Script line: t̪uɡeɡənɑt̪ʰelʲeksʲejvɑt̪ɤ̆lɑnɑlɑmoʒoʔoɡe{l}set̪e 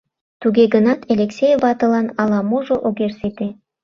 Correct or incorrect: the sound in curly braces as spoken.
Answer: incorrect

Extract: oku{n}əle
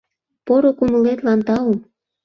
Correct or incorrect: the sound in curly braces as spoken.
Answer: incorrect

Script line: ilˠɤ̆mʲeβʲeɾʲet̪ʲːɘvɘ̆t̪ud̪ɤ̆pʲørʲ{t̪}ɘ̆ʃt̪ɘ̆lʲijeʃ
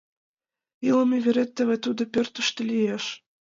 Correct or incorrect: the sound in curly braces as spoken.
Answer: correct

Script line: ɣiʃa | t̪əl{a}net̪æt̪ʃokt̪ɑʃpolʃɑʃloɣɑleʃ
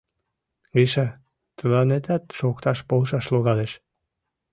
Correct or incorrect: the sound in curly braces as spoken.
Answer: incorrect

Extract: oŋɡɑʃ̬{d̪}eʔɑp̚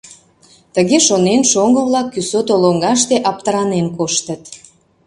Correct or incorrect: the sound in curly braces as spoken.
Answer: incorrect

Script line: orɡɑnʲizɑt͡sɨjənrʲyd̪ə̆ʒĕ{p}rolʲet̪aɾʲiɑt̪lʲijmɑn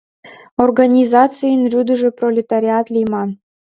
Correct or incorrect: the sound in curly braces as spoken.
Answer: correct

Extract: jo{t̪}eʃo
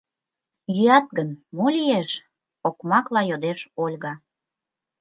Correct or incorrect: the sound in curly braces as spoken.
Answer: incorrect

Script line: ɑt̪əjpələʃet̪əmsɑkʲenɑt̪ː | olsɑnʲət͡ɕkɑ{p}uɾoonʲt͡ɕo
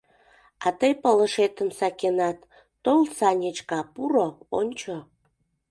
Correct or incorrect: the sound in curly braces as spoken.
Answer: correct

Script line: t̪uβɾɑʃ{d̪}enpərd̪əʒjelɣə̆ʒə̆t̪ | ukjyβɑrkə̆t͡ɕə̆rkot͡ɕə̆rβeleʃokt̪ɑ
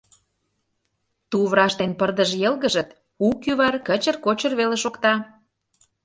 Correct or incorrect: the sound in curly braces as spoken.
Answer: incorrect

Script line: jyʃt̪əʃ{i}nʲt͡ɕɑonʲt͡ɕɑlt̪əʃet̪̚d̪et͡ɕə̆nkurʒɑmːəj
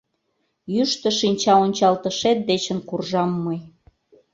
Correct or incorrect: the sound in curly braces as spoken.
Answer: correct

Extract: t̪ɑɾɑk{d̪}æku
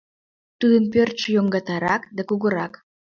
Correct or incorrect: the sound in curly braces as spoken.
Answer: correct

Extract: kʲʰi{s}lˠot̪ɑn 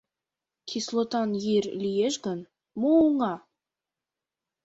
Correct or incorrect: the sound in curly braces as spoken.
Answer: correct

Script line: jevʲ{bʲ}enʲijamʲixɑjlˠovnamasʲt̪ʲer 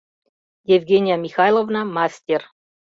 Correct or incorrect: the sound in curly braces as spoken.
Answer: incorrect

